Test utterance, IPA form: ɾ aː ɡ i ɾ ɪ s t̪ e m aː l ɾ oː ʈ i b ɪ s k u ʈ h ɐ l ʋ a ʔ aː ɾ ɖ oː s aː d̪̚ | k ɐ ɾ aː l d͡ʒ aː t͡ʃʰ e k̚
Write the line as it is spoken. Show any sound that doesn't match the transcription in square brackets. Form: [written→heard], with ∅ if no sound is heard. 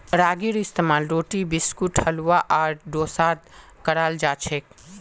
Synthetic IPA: ɾ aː ɡ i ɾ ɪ s t̪ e m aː l ɾ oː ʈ i b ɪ s k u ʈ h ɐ l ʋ a ʔ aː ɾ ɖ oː s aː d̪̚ | k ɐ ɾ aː l d͡ʒ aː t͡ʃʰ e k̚